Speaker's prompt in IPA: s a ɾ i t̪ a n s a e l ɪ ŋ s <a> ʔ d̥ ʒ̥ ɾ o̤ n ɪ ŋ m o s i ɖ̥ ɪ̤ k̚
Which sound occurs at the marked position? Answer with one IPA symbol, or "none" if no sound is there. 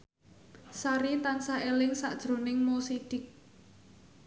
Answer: a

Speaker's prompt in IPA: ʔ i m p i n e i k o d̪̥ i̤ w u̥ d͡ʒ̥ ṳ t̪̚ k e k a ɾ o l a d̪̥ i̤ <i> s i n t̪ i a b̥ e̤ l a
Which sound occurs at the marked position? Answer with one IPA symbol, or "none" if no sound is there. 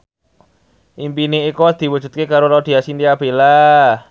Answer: a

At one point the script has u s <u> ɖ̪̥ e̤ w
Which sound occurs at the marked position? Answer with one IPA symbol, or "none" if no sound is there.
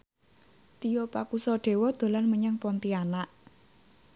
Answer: ɔ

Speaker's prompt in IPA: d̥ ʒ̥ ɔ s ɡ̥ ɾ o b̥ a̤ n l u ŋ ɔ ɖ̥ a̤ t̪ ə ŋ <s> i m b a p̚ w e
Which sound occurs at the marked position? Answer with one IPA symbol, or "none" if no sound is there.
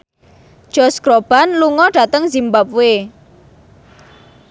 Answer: z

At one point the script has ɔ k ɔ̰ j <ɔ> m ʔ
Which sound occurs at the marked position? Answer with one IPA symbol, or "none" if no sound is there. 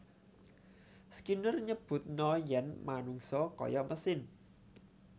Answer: ɔ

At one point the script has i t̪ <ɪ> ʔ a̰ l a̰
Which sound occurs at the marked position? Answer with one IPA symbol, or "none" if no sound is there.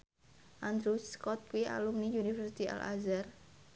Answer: i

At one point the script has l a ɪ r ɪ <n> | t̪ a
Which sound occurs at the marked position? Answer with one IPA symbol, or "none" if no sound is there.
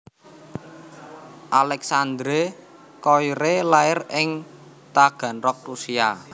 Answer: ŋ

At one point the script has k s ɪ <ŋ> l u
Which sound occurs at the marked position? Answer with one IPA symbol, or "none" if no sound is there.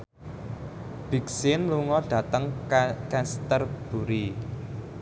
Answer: n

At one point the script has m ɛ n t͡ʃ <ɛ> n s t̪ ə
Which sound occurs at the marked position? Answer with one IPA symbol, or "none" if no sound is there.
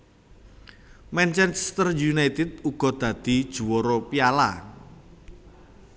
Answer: ɛ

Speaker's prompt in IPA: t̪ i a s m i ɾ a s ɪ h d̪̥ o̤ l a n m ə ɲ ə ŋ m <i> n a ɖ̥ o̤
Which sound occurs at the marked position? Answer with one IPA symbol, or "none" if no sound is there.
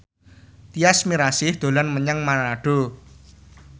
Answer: a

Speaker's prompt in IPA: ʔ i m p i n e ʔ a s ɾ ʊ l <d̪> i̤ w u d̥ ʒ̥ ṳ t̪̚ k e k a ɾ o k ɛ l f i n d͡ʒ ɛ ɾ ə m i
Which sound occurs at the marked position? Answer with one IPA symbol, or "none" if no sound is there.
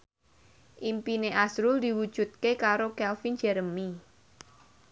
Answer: d̪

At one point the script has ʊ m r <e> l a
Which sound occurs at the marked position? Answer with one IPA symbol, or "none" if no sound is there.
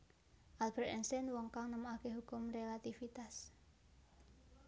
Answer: e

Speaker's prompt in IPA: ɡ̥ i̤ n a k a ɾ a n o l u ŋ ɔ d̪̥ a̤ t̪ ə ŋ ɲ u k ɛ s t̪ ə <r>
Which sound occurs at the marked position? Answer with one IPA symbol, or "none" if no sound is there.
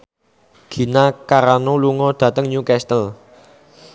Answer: l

